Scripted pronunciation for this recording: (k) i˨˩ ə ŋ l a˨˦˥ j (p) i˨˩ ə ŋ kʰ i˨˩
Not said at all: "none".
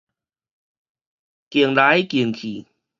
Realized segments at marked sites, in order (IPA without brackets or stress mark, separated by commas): k, k